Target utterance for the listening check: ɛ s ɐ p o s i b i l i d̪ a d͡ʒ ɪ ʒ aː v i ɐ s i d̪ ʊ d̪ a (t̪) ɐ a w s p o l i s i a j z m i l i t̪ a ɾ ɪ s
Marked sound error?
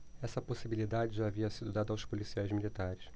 yes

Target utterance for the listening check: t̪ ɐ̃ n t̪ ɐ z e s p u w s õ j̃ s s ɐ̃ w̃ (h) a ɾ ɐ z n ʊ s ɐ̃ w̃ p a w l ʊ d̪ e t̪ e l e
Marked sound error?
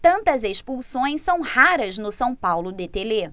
no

